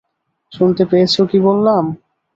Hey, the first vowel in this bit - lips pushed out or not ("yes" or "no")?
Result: yes